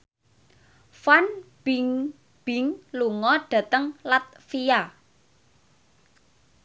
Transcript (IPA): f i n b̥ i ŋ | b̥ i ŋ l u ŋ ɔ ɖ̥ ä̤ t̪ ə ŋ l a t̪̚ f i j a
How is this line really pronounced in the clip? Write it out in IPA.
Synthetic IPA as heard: f a n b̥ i ŋ | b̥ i ŋ l u ŋ ɔ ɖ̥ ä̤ t̪ ə ŋ l a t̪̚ f i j a